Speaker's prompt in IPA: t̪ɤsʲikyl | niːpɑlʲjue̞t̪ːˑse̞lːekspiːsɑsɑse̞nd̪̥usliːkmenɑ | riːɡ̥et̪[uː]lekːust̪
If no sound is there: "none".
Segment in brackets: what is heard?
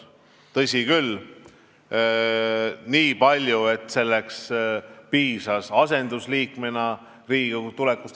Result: u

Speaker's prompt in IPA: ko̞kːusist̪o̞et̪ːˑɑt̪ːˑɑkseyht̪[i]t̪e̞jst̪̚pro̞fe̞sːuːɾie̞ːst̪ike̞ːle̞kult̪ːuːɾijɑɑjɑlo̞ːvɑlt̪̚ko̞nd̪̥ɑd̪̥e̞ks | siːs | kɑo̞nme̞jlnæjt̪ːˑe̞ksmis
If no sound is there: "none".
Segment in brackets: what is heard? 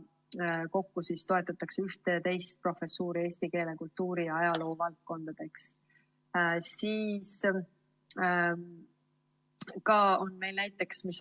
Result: e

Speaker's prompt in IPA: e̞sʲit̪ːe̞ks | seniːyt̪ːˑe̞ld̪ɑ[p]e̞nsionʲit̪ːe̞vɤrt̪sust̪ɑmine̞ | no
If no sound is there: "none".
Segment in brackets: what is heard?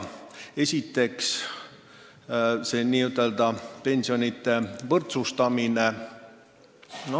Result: p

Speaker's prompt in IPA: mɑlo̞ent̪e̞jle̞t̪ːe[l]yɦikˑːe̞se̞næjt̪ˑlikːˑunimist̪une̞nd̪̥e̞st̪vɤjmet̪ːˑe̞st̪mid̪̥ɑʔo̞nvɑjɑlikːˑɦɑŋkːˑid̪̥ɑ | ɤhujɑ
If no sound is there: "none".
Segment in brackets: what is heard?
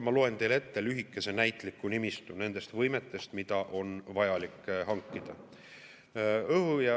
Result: l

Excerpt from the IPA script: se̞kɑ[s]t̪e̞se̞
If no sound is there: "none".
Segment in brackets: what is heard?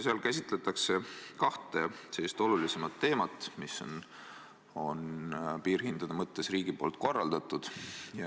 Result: h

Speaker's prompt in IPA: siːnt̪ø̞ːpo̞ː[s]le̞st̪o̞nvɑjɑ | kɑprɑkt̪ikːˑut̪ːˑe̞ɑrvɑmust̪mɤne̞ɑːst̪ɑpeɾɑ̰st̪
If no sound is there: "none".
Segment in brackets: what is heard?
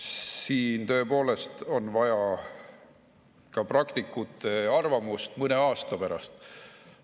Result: none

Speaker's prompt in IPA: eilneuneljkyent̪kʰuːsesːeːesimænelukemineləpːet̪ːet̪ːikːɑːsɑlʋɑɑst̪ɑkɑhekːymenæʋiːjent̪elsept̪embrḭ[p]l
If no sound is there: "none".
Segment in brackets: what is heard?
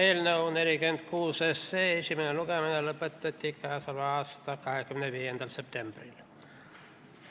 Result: none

